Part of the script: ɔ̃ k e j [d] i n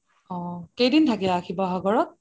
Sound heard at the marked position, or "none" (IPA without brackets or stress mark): d